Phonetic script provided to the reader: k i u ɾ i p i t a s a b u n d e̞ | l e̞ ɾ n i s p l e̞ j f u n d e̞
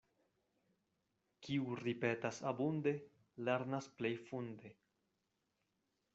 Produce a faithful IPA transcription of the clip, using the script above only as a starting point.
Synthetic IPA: k i u ɾ i p e t a s a b u n d e̞ | l e̞ ɾ n a s p l e̞ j f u n d e̞